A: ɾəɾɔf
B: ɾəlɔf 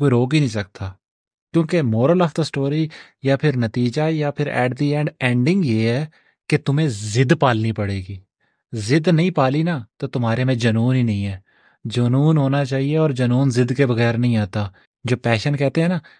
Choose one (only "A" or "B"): B